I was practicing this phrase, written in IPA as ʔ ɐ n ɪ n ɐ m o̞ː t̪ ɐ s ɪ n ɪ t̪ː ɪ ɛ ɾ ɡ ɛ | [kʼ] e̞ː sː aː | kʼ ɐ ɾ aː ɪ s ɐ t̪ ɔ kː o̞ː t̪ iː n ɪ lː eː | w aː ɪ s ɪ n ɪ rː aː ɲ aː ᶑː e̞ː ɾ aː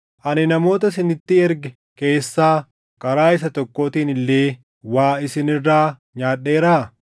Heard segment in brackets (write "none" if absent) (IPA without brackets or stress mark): k